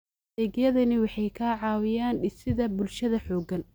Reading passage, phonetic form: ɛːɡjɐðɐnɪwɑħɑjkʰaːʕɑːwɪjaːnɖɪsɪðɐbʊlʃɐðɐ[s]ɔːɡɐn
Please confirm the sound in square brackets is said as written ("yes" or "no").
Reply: no